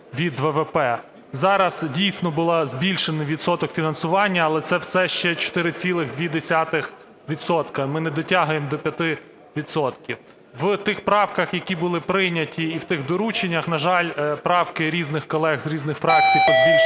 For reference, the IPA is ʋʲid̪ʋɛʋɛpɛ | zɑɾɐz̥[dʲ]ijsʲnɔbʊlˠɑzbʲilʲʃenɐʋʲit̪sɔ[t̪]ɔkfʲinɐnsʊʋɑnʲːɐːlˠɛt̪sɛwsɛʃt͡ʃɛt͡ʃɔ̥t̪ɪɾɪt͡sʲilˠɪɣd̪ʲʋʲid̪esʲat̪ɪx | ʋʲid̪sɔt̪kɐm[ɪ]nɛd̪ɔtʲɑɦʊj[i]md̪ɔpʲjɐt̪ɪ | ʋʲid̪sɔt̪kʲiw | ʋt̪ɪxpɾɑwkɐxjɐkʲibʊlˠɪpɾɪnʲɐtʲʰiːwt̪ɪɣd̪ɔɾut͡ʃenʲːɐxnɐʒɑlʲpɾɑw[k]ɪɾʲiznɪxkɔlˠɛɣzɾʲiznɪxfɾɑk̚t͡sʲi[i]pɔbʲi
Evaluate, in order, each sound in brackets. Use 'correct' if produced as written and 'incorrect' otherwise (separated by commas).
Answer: correct, correct, correct, incorrect, correct, incorrect